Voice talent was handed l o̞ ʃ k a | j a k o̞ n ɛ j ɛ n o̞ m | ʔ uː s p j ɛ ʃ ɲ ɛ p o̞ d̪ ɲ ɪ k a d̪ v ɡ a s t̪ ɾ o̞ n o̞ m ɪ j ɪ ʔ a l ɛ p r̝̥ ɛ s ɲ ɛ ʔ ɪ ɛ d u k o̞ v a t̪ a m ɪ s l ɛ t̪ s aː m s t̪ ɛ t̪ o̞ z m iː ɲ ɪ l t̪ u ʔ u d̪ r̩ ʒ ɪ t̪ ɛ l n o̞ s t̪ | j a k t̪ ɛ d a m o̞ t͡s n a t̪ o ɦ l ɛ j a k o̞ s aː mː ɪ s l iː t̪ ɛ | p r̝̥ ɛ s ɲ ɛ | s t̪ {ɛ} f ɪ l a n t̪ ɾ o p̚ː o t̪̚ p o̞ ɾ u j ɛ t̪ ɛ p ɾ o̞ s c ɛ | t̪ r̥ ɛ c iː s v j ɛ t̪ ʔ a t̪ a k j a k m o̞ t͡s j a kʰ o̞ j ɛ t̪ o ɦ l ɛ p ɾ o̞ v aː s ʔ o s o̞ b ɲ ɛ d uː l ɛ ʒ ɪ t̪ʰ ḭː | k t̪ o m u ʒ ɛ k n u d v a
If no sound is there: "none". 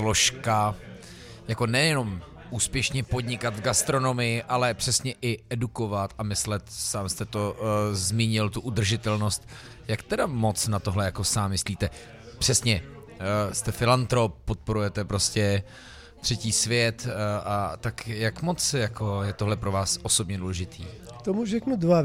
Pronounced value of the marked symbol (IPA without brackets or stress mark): ɛ